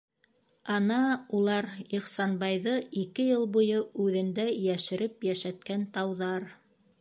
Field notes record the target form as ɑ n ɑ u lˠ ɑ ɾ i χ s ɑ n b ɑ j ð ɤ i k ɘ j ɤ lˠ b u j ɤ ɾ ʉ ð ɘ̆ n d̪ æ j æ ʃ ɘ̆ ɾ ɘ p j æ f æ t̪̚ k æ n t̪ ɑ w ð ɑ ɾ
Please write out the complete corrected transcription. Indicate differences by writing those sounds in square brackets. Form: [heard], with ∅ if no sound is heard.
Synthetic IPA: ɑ n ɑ u lˠ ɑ ɾ i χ s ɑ n b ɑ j ð ɤ i k ɘ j ɤ lˠ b u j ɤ [∅] ʉ ð ɘ̆ n d̪ æ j æ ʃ ɘ̆ ɾ ɘ p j æ [ʃ] æ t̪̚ k æ n t̪ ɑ w ð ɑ ɾ